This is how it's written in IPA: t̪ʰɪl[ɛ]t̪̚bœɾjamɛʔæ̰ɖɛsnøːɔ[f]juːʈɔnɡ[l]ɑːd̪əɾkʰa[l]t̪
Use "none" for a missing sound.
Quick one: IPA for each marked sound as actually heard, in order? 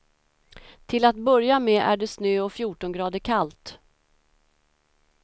a, f, ɾ, l

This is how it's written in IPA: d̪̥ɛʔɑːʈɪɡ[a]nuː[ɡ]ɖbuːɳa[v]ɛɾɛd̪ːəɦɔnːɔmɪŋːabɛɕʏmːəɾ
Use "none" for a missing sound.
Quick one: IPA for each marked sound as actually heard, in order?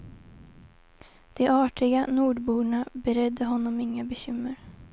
a, none, b

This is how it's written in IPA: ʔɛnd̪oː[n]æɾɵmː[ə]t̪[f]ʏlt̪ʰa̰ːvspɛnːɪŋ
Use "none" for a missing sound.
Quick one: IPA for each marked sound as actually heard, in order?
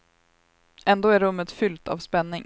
none, ə, f

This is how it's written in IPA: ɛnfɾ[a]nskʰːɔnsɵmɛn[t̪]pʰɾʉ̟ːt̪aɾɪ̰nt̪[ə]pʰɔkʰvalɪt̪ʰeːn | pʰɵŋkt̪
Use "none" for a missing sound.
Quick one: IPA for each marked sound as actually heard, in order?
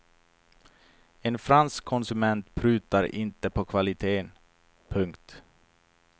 a, t̪, ə

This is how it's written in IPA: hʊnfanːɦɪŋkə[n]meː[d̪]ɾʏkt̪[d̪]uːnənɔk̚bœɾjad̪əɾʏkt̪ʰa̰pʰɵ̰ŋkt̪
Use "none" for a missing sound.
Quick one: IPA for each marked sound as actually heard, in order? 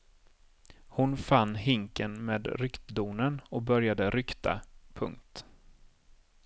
n, d̪, d̪

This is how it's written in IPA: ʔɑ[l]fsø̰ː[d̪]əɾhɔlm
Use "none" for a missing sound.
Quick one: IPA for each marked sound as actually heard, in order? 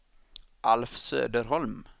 l, d̪

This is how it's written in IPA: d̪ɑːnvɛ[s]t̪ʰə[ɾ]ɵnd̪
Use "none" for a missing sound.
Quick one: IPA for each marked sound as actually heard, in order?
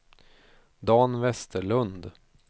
s, ɭ

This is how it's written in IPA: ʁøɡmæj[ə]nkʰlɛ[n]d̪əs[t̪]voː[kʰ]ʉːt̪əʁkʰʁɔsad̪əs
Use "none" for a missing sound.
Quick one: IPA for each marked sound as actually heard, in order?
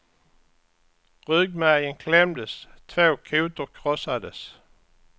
ə, m, t̪ʰ, kʰ

